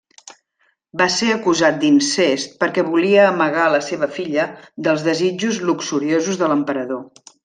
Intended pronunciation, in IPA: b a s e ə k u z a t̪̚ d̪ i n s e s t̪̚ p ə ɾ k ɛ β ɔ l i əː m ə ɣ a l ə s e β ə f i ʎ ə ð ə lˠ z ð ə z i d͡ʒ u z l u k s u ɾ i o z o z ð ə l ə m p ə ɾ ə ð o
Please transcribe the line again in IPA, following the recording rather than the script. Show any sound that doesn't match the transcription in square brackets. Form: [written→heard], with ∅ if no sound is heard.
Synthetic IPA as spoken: b a s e ə k u z a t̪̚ d̪ i n s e s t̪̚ p ə ɾ k ɛ β [ɔ→u] l i əː m ə ɣ a l ə s e β ə f i ʎ ə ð ə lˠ z ð ə z i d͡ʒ u z l u k s u ɾ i o z [o→u] z ð ə l ə m p ə ɾ ə ð o